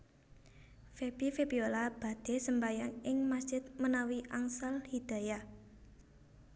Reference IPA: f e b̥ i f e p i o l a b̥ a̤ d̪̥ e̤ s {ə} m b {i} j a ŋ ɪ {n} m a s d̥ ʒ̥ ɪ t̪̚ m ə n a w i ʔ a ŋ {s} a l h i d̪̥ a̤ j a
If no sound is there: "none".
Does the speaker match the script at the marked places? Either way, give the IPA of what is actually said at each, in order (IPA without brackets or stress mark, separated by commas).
ə, a, ŋ, s